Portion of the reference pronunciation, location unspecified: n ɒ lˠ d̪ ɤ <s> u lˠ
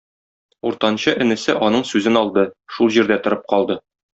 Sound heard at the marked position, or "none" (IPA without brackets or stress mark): ʃ